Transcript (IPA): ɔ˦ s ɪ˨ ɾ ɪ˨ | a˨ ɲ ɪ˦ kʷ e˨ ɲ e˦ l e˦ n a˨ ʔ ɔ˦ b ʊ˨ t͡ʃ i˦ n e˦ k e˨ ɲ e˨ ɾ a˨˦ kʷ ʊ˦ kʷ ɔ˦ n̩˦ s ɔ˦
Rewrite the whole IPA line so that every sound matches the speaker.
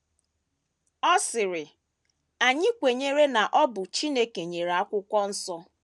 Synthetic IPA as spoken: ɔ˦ s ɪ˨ ɾ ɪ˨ | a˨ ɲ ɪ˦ kʷ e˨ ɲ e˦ ɾ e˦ n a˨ ʔ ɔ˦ b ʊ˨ t͡ʃ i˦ n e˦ k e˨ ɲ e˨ ɾ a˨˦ kʷ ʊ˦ kʷ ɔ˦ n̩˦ s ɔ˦